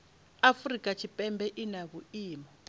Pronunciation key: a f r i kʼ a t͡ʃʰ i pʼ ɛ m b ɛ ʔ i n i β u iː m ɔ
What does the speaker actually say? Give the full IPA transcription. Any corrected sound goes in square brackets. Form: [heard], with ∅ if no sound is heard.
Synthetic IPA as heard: a f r i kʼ a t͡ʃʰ i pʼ ɛ m b ɛ ʔ i n [a] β u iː m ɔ